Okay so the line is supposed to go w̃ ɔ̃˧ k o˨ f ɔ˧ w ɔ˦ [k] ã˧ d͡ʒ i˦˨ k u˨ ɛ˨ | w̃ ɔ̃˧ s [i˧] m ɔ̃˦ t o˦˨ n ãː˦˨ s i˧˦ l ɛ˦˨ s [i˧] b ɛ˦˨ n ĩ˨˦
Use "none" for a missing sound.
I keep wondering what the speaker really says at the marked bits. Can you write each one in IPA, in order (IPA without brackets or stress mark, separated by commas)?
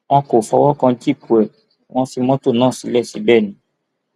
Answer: k, i˧, i˧